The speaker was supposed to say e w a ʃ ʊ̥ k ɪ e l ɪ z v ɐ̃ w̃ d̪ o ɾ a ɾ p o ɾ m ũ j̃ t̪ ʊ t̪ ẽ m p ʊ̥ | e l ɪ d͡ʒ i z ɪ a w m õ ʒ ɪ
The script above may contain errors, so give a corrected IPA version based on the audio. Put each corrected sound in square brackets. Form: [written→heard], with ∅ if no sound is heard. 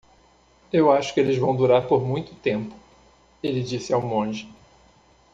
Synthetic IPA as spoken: e w a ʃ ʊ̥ k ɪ e l ɪ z v ɐ̃ w̃ d̪ [o→u] ɾ a ɾ p o ɾ m ũ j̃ t̪ ʊ t̪ ẽ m p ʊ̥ | e l ɪ d͡ʒ i [z→s] ɪ a w m õ ʒ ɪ